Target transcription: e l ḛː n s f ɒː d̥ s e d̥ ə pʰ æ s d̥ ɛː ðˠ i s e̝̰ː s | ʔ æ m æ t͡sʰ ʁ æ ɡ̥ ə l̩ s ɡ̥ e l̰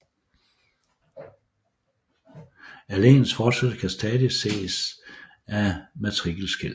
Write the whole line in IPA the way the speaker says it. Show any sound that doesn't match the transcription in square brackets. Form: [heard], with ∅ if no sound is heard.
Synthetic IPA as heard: [æ] l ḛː n s f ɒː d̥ s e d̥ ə [kʰ] æ s d̥ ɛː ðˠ i s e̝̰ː s | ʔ æ m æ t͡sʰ ʁ [i] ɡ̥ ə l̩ s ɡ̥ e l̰